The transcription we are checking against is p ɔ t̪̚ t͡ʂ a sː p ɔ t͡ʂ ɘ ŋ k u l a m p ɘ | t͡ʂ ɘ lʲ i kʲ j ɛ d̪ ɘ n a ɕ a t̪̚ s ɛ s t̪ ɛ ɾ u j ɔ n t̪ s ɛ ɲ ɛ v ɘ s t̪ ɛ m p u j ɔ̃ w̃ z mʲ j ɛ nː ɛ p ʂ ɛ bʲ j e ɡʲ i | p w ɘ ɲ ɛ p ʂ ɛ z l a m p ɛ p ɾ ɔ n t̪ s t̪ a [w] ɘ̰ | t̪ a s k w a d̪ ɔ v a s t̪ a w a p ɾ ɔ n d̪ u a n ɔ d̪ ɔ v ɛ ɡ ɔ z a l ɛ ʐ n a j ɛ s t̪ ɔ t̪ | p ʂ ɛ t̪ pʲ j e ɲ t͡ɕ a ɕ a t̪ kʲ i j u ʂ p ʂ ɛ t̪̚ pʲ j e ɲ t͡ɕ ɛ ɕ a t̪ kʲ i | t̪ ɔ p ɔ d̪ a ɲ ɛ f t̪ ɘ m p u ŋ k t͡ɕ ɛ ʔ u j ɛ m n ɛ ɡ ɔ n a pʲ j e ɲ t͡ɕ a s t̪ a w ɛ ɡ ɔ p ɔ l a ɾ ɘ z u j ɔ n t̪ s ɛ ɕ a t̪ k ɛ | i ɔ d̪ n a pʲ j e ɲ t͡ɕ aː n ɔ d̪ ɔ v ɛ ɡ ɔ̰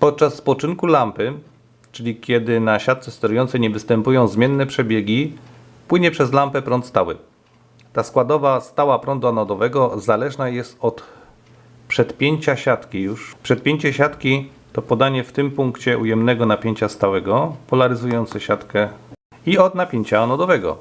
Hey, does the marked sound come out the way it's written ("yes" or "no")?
yes